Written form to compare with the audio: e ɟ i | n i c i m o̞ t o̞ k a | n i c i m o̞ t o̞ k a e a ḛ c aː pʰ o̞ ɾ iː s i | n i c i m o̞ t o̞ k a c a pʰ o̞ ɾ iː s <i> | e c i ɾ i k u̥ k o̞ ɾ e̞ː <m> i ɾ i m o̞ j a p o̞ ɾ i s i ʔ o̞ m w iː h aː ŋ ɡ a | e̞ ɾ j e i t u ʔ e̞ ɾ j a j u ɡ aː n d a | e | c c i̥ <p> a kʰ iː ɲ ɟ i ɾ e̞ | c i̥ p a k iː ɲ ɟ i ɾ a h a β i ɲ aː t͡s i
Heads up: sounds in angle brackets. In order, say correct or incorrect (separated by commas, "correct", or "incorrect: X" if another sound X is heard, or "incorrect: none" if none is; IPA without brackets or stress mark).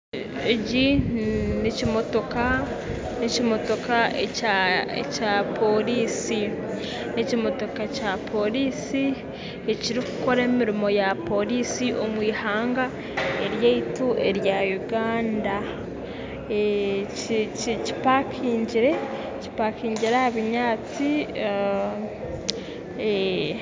correct, correct, correct